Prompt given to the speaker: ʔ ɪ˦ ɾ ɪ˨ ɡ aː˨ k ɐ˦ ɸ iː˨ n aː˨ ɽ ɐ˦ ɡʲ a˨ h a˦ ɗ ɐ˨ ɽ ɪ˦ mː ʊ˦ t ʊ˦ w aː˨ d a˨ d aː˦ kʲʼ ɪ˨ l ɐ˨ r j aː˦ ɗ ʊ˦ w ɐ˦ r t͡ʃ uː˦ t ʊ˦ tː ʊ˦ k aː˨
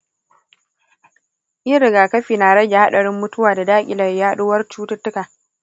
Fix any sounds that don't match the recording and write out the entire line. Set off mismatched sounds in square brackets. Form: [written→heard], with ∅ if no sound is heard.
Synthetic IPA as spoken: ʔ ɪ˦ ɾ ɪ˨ ɡ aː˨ k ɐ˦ ɸ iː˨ n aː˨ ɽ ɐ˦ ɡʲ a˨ h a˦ ɗ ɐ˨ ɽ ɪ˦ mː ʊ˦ t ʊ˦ w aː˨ d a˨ d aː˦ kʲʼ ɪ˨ l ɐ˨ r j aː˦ ɗ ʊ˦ w ɐ˦ r t͡ʃ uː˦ t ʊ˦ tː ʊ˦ k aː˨

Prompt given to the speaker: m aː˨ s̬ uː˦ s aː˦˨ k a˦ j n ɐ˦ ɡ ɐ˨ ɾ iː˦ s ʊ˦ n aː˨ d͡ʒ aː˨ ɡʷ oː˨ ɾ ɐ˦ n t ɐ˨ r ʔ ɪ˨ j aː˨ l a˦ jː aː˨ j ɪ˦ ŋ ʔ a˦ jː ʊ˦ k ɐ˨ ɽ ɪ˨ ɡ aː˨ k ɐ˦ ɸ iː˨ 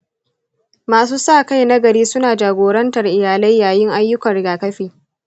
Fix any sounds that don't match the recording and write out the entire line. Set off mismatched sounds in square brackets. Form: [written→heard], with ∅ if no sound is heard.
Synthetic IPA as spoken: m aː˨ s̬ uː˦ s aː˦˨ k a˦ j n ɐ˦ ɡ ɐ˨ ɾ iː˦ s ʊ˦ n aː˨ d͡ʒ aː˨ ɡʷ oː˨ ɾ ɐ˦ n t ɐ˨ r ʔ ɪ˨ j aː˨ l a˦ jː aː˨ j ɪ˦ ŋ ʔ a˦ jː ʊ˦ k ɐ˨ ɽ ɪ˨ ɡ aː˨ k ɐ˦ ɸ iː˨

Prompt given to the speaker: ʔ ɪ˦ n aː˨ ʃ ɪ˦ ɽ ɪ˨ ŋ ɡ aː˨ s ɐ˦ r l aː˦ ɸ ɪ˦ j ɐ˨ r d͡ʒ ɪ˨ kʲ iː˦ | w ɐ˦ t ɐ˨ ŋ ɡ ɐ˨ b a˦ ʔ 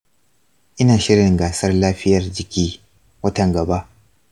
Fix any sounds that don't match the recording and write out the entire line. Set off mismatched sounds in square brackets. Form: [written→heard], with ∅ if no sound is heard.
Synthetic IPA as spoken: ʔ ɪ˦ n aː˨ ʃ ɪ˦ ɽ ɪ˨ ŋ ɡ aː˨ s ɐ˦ r l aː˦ ɸ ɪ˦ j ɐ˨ r d͡ʒ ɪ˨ kʲ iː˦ | w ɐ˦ t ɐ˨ ŋ ɡ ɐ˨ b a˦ ʔ

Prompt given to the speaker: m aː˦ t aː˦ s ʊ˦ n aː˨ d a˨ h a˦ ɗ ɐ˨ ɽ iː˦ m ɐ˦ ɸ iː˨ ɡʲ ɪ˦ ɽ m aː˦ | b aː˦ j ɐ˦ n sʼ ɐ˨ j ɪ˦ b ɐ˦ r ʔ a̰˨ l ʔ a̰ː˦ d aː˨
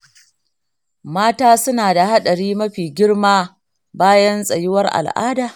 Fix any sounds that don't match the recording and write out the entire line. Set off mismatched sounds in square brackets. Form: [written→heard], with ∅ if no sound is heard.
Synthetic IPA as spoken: m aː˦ t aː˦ s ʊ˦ n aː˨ d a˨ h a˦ ɗ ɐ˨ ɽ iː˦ m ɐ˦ ɸ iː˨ ɡʲ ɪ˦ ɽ m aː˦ | b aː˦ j ɐ˦ n sʼ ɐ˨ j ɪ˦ [b→w] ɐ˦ r ʔ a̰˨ l ʔ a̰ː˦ d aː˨

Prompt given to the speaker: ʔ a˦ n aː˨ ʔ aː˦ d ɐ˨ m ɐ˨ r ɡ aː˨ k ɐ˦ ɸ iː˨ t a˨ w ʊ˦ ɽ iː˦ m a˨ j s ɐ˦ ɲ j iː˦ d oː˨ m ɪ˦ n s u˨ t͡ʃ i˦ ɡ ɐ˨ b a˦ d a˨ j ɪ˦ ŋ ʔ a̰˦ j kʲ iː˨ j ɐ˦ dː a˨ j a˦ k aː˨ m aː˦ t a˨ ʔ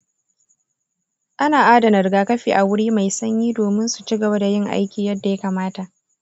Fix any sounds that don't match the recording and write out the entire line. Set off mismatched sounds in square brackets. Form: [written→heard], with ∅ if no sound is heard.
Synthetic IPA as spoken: ʔ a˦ n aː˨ ʔ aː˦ d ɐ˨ [m→n] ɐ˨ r ɡ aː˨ k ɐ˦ ɸ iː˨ [t→ʔ] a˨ w ʊ˦ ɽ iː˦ m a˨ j s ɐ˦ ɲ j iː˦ d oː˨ m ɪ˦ n s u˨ t͡ʃ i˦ ɡ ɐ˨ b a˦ d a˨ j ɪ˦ ŋ ʔ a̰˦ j kʲ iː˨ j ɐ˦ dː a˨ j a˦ k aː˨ m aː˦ t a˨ ʔ

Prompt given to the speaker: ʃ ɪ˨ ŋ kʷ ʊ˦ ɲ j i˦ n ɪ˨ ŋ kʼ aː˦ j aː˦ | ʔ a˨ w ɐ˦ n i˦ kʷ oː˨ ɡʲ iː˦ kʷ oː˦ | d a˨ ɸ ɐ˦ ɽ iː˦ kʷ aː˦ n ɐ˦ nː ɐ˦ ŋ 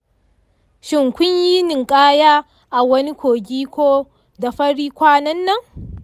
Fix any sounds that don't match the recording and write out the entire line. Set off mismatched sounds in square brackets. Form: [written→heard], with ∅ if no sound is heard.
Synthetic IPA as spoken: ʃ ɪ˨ ŋ kʷ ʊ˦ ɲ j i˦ n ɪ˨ ŋ kʼ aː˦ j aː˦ | ʔ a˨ w ɐ˦ n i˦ kʷ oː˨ ɡʲ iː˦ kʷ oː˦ | d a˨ ɸ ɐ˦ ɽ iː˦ kʷ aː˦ n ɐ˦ nː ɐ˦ ŋ

